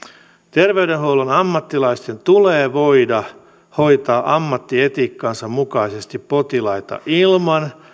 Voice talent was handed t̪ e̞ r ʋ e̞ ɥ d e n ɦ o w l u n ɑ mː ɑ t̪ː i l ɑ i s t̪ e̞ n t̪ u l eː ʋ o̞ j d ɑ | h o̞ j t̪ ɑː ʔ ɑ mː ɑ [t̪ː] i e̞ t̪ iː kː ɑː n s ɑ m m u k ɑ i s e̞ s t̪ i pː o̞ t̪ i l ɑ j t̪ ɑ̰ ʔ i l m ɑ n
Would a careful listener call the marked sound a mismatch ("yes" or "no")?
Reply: no